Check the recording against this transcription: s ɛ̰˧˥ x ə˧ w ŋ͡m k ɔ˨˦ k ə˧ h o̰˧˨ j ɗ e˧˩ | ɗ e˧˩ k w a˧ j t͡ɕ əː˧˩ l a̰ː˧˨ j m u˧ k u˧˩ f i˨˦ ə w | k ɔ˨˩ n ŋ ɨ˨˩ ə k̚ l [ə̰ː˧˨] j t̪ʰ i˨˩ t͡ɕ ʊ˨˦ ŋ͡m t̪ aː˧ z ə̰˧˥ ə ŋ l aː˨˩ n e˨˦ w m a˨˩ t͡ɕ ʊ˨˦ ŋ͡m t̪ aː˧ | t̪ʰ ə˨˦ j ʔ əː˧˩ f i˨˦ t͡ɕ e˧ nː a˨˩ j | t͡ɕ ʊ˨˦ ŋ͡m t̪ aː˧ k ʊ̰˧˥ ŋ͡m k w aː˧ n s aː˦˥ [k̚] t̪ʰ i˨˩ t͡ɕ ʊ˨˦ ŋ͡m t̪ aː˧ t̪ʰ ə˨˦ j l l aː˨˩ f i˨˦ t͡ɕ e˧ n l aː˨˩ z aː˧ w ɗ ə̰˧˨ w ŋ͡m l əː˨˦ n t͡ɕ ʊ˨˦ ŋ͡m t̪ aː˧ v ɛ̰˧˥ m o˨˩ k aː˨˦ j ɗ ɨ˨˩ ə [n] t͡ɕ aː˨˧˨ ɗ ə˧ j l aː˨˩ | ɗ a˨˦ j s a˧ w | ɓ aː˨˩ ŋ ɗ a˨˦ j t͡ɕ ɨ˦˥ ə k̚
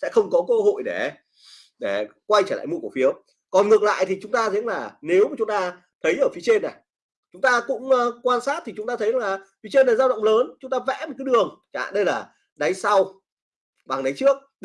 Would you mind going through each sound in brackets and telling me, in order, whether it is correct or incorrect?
incorrect: a̰ː˧˨, incorrect: t̚, incorrect: ŋ

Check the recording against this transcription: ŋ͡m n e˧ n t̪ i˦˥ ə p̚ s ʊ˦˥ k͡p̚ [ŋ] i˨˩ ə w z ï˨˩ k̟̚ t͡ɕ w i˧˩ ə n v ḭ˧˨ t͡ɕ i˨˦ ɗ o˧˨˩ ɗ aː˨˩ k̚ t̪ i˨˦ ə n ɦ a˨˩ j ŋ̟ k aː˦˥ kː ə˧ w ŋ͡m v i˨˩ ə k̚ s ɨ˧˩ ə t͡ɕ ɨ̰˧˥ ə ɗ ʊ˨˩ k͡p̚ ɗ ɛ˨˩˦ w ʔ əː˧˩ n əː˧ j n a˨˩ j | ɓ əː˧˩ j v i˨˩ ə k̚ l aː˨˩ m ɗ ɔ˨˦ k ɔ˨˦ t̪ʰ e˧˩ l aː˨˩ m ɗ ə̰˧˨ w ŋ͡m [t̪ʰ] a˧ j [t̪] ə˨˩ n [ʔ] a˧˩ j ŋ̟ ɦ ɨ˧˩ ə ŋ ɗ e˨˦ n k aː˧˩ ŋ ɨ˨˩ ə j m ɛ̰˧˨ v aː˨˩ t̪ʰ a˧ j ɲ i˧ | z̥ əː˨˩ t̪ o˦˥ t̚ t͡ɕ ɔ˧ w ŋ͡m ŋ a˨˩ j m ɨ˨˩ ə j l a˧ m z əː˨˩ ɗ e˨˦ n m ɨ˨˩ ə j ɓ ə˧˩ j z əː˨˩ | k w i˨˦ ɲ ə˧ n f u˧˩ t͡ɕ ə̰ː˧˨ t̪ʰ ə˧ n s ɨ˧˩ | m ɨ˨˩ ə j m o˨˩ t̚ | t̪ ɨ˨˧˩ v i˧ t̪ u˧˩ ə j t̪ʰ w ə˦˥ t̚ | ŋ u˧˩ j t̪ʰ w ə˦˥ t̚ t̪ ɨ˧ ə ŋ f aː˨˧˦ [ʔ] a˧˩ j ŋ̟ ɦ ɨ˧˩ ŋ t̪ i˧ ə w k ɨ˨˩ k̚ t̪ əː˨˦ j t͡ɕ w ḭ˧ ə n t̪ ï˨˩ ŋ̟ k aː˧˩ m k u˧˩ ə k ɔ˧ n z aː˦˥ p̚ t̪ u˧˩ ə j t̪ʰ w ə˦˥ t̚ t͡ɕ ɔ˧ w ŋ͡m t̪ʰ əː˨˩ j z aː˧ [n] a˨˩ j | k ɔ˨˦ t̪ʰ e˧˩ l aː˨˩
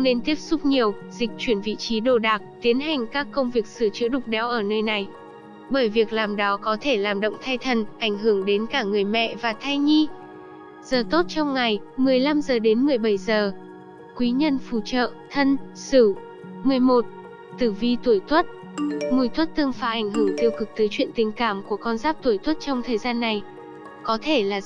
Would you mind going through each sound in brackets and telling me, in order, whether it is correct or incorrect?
incorrect: ɲ, correct, incorrect: t̪ʰ, correct, correct, incorrect: nː

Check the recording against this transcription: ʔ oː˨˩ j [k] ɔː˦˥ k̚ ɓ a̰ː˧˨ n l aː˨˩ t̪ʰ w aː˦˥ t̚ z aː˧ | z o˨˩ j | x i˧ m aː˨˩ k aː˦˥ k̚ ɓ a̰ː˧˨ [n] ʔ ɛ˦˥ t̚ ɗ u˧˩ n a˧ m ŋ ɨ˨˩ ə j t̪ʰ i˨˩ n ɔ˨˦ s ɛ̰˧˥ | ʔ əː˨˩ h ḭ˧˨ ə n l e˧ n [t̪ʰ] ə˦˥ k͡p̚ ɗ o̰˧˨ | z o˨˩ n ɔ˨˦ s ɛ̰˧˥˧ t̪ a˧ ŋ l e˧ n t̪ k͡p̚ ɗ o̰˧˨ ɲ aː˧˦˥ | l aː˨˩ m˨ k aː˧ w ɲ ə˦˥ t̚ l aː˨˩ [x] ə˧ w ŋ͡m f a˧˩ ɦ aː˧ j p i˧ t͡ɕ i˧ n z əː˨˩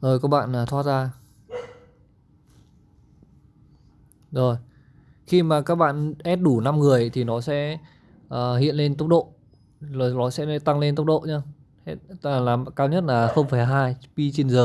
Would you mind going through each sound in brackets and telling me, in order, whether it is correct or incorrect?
correct, correct, incorrect: t̪, correct

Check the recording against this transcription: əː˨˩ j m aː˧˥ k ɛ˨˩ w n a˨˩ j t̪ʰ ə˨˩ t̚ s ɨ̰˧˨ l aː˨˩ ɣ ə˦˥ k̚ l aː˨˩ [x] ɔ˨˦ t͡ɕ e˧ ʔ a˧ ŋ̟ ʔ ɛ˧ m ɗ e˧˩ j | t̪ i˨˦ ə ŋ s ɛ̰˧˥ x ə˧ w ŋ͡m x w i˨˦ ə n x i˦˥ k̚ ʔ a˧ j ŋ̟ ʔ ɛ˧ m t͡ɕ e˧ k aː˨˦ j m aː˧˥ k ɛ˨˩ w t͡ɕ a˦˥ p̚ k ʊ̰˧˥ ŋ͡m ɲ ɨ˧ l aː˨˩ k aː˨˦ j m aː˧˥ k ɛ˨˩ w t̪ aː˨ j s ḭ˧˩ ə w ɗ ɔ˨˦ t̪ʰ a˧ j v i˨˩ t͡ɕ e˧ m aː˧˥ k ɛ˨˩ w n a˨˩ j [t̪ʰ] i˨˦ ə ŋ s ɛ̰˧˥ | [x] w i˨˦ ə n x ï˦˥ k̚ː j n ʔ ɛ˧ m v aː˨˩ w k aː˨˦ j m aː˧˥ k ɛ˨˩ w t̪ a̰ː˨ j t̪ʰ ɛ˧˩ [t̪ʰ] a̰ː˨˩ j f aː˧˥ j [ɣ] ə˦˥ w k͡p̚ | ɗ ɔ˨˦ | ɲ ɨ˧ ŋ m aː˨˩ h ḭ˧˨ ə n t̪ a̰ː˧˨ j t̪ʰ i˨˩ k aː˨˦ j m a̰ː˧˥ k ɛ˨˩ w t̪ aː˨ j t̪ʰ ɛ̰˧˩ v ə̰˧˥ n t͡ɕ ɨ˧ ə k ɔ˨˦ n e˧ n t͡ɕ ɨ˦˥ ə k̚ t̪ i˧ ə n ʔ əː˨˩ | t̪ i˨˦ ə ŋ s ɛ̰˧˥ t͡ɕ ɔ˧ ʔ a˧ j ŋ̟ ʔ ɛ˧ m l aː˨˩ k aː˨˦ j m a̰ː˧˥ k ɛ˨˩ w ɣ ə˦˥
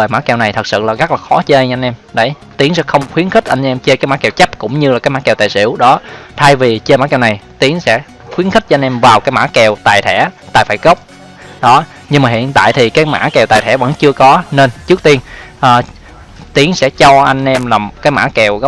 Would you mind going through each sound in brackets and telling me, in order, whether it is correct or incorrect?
correct, incorrect: t̪, correct, incorrect: t̪, correct

